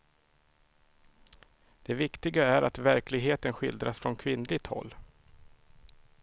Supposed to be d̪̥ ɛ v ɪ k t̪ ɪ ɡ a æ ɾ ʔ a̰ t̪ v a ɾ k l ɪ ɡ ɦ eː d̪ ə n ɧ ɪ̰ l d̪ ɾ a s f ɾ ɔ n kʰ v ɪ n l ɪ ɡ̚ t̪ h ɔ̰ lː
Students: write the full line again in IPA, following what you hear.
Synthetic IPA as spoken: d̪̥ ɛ v ɪ k t̪ ɪ ɡ a æ ɾ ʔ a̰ t̪ v æ ɾ k l ɪ ɡ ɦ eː t̪ ə n ɧ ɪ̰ l d̪ ɾ a s f ɾ ɔ n kʰ v ɪ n l ɪ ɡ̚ t̪ h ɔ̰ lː